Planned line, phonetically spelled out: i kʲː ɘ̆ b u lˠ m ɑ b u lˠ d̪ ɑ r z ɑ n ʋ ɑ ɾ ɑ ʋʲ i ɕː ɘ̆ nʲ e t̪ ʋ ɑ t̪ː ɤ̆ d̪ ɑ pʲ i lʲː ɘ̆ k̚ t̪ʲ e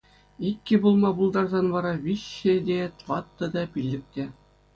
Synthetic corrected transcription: i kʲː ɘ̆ b u lˠ m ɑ b u lˠ d̪ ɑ r z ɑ n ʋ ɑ ɾ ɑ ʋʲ i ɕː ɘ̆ dʲ e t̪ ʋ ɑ t̪ː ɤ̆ d̪ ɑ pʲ i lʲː ɘ̆ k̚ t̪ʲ e